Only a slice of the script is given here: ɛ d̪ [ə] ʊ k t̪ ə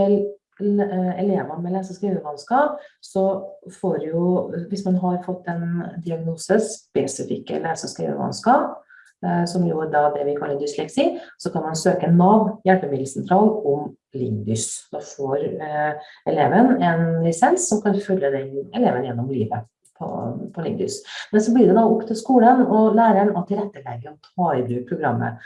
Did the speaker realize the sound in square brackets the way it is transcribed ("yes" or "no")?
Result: no